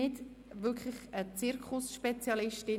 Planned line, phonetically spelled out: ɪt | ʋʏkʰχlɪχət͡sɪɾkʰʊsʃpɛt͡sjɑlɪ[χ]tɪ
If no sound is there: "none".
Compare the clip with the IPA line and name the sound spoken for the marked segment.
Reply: ʃ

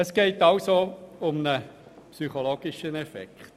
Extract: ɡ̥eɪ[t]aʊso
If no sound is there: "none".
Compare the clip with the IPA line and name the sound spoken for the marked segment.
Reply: t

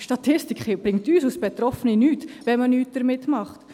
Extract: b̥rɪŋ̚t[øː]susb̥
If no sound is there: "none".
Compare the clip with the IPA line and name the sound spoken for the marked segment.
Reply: yː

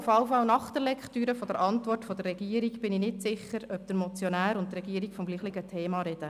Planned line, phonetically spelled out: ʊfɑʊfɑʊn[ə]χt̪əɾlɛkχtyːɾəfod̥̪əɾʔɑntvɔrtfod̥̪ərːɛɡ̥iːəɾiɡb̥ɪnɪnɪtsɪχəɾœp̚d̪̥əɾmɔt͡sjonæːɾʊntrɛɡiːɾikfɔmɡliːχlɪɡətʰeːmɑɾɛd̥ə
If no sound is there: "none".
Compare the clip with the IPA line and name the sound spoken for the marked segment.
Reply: ɑ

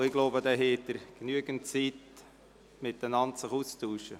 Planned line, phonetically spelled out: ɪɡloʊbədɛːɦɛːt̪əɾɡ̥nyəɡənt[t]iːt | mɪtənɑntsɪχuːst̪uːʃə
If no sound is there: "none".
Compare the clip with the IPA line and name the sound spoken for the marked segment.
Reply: t͡s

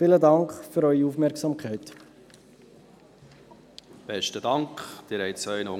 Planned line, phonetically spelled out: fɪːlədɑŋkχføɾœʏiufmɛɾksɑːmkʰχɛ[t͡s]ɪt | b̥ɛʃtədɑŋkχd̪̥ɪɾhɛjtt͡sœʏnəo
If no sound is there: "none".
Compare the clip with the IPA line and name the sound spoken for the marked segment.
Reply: none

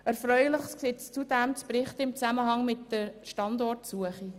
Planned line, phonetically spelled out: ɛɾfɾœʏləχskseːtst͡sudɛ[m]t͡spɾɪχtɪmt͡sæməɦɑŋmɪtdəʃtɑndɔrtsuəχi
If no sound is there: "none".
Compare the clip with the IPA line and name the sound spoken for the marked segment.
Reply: m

